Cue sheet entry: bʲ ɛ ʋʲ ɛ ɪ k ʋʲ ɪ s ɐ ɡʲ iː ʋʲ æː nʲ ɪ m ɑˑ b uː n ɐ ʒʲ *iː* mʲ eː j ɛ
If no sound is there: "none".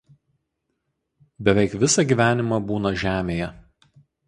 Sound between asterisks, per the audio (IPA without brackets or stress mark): æː